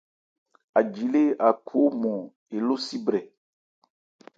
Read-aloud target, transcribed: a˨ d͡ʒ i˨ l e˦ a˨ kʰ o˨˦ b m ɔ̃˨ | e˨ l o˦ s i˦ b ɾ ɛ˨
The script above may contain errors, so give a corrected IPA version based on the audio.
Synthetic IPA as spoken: a˨ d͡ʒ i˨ l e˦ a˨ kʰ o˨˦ m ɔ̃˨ | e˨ l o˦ s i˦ b ɾ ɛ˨